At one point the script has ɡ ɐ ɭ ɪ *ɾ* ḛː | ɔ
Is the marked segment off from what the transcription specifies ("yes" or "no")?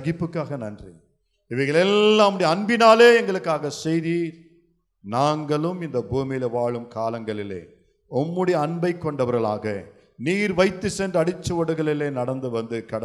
yes